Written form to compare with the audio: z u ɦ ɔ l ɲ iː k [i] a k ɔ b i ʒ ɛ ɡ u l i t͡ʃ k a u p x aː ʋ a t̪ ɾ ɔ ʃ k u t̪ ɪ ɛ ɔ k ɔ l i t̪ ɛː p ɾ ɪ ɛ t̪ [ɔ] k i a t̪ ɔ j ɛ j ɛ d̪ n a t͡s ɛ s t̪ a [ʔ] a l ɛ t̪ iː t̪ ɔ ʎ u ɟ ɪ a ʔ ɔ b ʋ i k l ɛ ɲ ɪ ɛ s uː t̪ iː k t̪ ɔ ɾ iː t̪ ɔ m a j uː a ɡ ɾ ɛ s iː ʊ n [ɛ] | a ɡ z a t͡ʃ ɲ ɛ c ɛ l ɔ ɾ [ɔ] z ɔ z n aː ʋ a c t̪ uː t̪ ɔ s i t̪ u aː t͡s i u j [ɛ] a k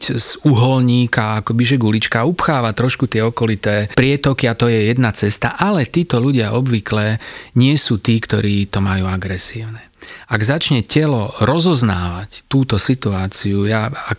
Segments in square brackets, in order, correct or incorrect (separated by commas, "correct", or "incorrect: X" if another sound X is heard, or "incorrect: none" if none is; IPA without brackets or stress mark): incorrect: a, correct, correct, correct, correct, incorrect: a